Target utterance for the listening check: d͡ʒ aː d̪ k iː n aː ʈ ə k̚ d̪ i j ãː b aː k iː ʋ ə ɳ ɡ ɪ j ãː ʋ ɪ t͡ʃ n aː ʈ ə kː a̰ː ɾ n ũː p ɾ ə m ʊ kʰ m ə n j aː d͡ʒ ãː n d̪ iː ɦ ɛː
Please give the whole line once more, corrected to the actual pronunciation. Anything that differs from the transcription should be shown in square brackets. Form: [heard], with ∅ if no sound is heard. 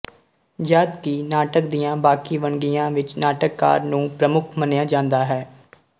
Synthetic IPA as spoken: d͡ʒ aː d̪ k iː n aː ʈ ə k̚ d̪ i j ãː b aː k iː ʋ ə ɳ ɡ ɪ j ãː ʋ ɪ t͡ʃ n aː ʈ ə kː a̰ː ɾ n ũː p ɾ ə m ʊ kʰ m ə n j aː d͡ʒ ãː n d̪ [aː] ɦ ɛː